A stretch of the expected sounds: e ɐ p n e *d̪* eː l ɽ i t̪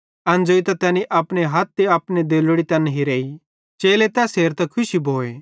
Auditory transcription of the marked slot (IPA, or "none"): d̪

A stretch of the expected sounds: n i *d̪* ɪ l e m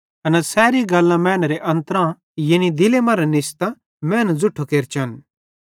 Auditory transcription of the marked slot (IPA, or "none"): d̪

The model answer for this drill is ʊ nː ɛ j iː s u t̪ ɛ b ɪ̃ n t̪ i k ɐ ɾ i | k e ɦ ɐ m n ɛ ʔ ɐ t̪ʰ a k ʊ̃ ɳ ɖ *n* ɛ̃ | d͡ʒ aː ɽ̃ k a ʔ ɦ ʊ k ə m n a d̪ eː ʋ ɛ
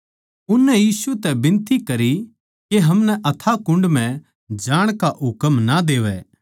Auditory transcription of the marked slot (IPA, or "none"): m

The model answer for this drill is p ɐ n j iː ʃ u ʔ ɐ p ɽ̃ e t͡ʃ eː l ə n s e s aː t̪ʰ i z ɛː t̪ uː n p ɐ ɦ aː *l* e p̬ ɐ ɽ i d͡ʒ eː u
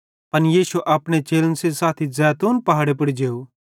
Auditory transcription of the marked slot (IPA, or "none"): ɽ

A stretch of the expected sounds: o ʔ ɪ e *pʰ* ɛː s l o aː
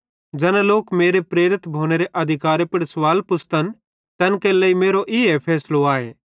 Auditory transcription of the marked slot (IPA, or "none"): pʰ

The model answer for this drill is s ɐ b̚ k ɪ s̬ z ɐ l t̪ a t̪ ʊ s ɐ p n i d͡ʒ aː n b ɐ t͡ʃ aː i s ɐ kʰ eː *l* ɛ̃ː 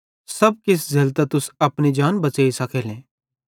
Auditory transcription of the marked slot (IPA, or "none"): l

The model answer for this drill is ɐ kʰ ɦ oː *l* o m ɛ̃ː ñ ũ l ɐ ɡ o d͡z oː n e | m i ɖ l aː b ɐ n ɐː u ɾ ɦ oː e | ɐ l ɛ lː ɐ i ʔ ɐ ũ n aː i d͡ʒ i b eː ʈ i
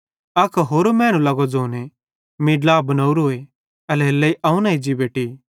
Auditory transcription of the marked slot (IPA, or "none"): ɾ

